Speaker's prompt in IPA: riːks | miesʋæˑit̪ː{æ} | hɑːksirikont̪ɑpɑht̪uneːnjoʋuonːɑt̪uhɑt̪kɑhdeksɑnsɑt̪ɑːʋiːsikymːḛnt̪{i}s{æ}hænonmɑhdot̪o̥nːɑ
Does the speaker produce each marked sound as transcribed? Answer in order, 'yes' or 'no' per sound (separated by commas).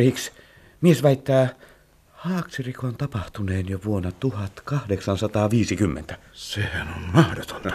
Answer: no, no, no